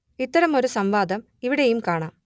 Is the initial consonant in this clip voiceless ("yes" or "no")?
yes